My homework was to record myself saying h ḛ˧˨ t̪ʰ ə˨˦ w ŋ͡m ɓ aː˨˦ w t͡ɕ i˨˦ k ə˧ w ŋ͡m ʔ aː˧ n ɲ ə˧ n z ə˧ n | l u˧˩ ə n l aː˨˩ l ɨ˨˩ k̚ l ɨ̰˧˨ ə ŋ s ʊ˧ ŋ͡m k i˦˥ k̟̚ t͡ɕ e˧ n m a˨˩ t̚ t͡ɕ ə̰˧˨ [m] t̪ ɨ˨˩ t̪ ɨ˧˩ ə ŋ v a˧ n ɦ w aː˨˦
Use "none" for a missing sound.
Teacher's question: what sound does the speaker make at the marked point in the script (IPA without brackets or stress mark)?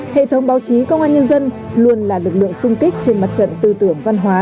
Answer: n